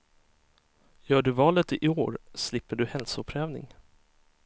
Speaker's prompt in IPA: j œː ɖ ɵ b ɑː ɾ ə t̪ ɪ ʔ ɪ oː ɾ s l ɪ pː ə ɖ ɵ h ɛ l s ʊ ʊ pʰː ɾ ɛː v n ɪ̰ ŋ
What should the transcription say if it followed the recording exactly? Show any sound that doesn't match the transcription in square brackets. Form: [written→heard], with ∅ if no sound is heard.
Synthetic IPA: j œː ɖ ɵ [b→v] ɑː [ɾ→l] ə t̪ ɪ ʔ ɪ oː ɾ s l ɪ pː ə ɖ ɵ h ɛ l s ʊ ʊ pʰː ɾ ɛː v n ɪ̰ ŋ